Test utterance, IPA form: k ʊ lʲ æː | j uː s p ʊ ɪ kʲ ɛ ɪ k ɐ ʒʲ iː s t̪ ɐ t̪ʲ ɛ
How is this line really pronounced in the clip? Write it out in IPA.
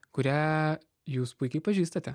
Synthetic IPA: k ʊ ɾʲ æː | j uː s p ʊ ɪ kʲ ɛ ɪ p ɐ ʒʲ iː s t̪ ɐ t̪ʲ ɛ